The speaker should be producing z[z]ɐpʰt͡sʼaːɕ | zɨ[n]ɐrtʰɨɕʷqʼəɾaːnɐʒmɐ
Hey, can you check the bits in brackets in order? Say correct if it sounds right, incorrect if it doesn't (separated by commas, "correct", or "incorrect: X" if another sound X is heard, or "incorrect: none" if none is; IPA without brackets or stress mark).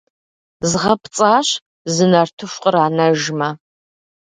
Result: incorrect: ʁ, correct